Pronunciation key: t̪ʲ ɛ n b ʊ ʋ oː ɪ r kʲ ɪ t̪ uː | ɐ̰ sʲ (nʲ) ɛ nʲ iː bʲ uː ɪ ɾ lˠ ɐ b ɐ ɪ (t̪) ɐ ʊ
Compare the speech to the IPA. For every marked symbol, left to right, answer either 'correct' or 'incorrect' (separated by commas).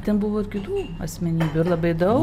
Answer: incorrect, incorrect